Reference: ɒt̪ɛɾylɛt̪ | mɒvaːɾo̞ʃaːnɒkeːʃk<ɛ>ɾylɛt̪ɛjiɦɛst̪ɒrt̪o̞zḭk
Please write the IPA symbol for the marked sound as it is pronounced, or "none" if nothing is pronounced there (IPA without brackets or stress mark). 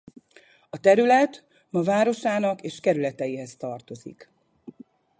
ɛ